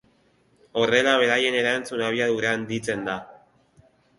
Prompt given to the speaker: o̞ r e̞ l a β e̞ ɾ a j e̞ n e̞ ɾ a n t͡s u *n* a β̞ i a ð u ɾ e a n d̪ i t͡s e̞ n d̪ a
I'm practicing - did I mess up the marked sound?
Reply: no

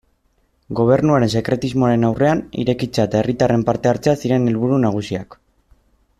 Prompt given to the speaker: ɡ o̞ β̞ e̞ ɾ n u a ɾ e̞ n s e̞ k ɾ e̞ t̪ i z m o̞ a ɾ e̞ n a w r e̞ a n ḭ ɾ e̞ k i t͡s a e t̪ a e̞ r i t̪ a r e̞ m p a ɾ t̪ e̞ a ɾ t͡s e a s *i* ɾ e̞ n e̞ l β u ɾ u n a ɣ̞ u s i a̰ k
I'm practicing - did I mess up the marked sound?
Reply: no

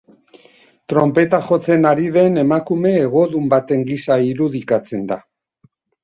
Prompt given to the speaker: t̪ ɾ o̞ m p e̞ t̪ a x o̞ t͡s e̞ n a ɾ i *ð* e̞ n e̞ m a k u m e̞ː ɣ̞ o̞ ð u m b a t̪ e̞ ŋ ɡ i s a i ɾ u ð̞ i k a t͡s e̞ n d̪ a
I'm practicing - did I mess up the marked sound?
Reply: no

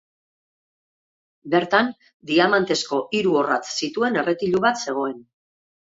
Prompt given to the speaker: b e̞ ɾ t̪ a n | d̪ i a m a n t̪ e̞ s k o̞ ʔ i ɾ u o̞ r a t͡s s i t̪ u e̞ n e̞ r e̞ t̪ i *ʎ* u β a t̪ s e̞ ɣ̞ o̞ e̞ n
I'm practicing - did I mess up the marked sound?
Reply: no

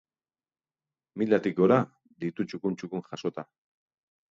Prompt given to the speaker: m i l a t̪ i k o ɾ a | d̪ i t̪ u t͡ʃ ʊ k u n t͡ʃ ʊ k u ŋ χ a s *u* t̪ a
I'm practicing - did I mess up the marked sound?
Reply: yes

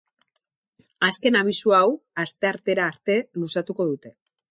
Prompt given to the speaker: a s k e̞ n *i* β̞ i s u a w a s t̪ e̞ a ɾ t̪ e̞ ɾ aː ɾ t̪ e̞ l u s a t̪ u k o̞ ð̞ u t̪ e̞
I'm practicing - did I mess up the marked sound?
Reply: yes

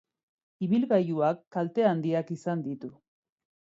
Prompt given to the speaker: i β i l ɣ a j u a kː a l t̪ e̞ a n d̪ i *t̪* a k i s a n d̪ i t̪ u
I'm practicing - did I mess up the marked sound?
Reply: yes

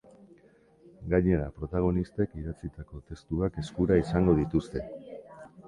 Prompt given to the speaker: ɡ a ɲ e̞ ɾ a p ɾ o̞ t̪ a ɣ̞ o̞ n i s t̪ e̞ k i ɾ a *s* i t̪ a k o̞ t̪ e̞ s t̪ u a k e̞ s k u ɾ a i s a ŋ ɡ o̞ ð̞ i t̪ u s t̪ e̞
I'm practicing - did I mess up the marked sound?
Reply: yes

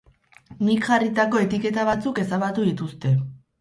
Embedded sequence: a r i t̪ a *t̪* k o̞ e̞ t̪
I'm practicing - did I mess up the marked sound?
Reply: yes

